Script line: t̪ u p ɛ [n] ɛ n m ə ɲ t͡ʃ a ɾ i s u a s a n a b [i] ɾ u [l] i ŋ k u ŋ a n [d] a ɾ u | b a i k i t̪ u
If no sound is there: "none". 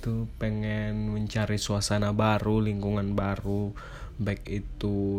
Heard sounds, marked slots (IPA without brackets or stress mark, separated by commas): ŋ, a, l, b